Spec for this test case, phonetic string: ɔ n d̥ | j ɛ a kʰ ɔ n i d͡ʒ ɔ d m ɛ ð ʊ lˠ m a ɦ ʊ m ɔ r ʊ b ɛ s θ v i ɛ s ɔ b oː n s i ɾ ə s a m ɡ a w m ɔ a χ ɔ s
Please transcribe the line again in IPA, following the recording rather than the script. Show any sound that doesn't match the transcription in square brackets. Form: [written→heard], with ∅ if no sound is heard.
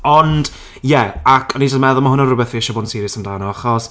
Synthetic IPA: ɔ n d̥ | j ɛ a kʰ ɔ n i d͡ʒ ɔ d m ɛ ð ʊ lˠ m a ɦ ʊ [m→n] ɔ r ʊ b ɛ [s→∅] θ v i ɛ [s→ʃ] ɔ b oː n s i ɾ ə s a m [ɡ→d] a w [m→n] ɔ a χ ɔ s